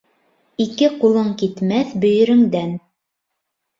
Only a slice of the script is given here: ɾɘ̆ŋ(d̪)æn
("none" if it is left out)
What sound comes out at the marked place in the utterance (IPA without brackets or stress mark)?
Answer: d̪